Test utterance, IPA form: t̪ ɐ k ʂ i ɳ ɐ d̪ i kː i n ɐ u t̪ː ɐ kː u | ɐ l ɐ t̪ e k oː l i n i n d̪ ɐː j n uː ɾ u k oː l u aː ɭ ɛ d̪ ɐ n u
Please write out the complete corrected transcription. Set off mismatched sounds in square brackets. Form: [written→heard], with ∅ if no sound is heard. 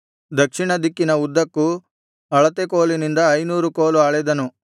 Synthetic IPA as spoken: [t̪→d̪] ɐ k ʂ i ɳ ɐ d̪ i kː i n ɐ u [t̪ː→d̪ː] ɐ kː u | ɐ [l→ɭ] ɐ t̪ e k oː l i n i n d̪ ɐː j n uː ɾ u k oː l u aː ɭ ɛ d̪ ɐ n u